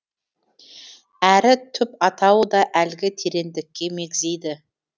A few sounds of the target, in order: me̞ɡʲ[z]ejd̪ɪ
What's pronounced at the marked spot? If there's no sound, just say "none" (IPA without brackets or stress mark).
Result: z